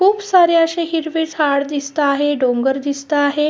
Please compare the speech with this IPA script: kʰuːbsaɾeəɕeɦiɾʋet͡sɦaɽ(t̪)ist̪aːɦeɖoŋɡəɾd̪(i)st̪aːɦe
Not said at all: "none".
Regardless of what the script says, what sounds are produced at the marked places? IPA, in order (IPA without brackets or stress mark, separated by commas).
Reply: d̪, i